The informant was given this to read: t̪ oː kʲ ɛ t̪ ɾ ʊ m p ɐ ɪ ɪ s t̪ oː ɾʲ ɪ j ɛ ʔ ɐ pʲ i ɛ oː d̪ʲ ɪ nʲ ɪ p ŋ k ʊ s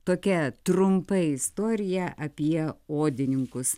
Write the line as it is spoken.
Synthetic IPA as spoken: t̪ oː kʲ ɛ t̪ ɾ ʊ m p ɐ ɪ ɪ s t̪ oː ɾʲ ɪ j ɛ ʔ ɐ pʲ i ɛ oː d̪ʲ ɪ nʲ ɪ ŋ k ʊ s